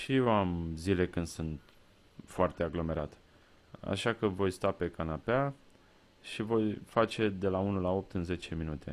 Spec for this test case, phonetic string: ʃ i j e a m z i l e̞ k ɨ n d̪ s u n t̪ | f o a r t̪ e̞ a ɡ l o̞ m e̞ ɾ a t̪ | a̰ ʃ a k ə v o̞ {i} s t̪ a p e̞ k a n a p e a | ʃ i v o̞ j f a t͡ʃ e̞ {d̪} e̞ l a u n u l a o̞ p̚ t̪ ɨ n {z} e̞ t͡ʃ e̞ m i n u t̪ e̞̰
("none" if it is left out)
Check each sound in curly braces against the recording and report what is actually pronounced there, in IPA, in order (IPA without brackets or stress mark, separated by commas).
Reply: j, d̪, z